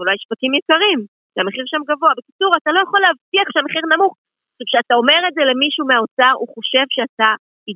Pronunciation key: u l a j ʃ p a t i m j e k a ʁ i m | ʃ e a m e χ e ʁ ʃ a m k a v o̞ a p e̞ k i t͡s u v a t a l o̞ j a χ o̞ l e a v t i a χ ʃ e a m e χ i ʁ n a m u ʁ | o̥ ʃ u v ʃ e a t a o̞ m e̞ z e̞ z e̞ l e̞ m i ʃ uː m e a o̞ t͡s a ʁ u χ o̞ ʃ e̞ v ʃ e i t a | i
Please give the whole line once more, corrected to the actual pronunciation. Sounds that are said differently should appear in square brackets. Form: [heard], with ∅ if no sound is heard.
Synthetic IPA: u l a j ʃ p a t i m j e k a ʁ i m | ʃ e a m e χ [i] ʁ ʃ a m [ɡ] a v o̞ a [b] e̞ k i t͡s u [ʁ] a t a l o̞ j a χ o̞ l e a v t i a χ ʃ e a m e χ i ʁ n a m u [χ] | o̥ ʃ u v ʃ e a t a o̞ m e̞ [ʁ] e̞ z e̞ l e̞ m i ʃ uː m e a o̞ t͡s a ʁ u χ o̞ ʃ e̞ v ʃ e [a] t a | i